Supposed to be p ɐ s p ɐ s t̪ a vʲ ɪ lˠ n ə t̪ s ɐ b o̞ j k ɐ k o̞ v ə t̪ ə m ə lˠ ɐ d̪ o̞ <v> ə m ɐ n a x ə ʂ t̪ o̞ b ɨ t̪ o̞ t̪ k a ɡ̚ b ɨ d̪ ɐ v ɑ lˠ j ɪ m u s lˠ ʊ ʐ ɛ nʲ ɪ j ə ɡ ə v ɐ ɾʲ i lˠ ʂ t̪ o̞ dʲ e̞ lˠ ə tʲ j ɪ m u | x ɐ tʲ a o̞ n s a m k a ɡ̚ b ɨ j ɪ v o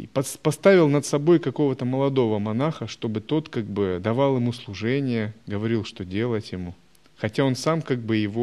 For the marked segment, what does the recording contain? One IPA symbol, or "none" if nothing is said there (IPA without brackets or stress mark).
v